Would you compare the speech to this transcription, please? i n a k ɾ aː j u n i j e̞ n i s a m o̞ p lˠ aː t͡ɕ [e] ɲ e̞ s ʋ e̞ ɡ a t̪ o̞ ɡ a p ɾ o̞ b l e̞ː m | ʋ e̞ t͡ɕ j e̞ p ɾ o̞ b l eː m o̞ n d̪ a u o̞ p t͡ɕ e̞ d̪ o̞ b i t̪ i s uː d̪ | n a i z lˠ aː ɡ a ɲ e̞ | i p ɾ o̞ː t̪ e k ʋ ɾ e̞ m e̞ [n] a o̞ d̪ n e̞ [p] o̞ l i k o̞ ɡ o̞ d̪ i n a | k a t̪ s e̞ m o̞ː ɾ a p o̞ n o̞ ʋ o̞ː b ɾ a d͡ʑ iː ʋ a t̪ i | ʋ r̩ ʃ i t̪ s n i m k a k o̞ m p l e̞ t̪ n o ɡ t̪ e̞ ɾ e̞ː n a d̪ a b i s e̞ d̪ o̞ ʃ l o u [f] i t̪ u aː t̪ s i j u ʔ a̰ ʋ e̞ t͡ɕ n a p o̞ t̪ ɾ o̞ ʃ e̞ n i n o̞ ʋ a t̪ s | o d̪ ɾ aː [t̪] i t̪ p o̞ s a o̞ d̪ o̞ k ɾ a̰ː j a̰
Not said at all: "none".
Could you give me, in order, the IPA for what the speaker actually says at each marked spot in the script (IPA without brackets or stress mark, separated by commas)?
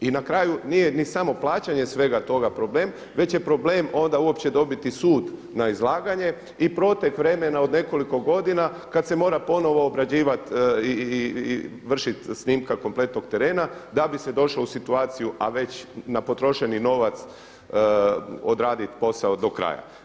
a, n, k, s, d̪